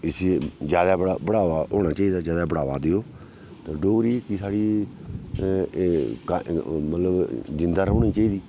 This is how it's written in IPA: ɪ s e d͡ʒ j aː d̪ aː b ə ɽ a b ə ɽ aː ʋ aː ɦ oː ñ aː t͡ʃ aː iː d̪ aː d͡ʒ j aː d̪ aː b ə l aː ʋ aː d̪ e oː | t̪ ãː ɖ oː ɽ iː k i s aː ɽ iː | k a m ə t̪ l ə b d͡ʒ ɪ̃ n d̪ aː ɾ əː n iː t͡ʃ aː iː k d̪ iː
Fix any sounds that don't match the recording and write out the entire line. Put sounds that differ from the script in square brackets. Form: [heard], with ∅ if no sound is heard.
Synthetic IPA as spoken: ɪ s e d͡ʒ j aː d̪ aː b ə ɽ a b ə ɽ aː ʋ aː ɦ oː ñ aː t͡ʃ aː iː d̪ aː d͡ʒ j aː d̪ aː b ə [ɽ] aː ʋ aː d̪ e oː | t̪ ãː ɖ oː [ɾ] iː k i s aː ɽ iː | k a m ə t̪ l ə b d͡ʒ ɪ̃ n d̪ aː ɾ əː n iː t͡ʃ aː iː [∅] d̪ iː